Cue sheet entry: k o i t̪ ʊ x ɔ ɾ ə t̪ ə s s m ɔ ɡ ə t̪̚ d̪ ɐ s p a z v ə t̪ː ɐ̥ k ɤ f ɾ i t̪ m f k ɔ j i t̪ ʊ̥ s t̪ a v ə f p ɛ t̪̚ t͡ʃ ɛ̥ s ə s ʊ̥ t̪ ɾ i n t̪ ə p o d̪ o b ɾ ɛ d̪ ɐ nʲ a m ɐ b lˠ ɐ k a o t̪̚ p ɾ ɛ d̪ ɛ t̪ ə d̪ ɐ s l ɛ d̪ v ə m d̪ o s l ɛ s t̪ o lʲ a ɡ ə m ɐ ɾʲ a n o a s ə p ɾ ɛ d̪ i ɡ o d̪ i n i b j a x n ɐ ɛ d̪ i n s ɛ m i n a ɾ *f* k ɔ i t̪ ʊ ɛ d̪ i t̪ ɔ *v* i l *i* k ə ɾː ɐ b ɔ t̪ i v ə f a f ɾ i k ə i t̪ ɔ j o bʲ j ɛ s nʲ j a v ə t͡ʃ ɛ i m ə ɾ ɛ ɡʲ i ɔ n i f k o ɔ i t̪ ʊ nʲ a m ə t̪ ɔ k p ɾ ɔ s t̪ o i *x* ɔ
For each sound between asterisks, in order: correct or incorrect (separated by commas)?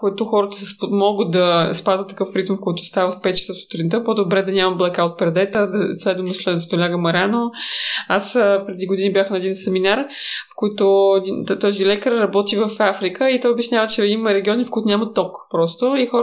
correct, incorrect, incorrect, correct